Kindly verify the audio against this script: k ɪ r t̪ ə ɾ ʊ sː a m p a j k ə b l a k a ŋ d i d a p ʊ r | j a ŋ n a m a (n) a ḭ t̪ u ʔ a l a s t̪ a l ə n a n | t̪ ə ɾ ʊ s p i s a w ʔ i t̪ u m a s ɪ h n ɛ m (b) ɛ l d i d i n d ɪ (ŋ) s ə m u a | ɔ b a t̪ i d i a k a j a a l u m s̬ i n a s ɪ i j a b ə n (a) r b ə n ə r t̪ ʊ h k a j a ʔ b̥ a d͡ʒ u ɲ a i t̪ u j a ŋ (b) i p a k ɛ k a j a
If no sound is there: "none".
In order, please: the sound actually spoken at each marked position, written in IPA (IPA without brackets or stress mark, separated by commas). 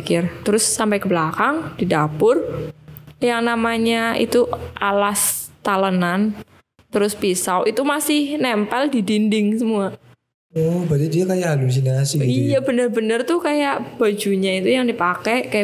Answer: ɲ, p, ŋ, ə, d